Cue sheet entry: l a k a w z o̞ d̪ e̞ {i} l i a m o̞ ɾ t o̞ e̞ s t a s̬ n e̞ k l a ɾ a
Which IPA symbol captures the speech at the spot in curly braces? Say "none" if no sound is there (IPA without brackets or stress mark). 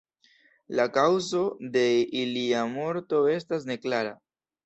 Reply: i